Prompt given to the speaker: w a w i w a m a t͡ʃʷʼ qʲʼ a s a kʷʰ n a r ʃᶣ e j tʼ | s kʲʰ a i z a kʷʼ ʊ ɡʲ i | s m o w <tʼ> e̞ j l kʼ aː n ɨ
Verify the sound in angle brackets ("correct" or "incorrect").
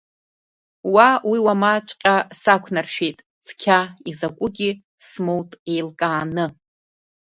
correct